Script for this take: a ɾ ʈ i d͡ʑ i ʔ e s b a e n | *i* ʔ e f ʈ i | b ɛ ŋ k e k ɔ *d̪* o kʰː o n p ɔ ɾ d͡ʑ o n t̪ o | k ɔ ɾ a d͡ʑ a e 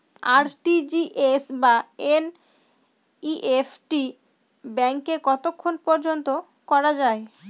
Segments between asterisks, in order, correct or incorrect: correct, incorrect: t̪

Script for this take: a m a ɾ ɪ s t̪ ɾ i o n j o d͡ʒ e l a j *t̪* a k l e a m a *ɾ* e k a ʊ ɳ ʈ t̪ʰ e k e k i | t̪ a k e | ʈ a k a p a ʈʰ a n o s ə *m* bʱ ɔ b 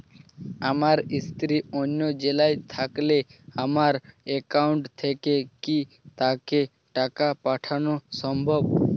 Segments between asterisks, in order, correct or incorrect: incorrect: t̪ʰ, correct, correct

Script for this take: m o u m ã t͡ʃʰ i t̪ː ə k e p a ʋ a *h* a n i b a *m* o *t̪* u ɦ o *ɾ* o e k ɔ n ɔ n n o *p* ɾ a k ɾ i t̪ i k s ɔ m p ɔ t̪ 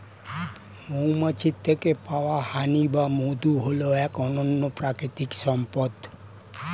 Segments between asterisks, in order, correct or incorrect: correct, correct, incorrect: d̪, incorrect: l, correct

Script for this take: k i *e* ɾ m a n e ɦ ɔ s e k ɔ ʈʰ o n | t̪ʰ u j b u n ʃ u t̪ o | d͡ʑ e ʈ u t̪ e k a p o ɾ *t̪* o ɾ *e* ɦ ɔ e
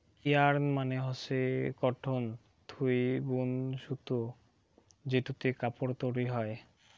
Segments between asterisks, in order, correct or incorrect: incorrect: a, correct, incorrect: i

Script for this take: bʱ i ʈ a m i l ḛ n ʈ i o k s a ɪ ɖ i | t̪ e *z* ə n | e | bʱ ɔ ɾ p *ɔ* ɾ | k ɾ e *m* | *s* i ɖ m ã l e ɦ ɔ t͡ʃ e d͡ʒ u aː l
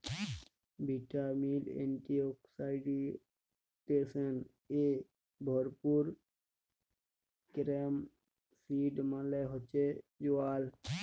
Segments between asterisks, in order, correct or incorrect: incorrect: s, incorrect: u, correct, correct

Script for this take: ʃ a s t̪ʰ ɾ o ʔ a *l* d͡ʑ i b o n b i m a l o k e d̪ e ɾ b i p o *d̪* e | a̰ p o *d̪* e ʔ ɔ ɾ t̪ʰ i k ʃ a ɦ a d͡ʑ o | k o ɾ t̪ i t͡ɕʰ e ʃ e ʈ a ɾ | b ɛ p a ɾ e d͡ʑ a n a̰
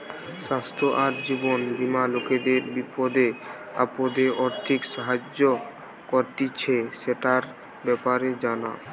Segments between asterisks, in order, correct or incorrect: incorrect: ɾ, correct, correct

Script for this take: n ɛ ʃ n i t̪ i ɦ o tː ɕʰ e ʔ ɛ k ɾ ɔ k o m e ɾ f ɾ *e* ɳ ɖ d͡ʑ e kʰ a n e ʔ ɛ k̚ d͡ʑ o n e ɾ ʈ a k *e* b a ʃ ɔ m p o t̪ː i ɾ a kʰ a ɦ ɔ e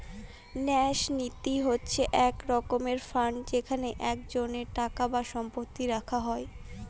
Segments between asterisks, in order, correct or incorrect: incorrect: a, incorrect: a

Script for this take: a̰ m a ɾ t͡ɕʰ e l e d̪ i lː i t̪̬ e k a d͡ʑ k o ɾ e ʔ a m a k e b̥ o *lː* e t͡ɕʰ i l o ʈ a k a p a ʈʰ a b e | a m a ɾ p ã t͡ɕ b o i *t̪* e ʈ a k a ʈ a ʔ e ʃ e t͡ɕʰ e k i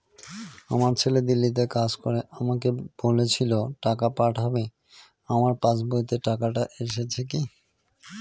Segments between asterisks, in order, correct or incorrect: incorrect: l, correct

